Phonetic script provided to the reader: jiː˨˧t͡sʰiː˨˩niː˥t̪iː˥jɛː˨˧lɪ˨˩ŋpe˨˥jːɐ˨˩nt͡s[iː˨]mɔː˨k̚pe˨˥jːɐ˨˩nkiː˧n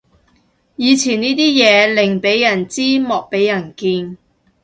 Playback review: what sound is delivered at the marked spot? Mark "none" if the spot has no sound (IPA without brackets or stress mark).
iː˥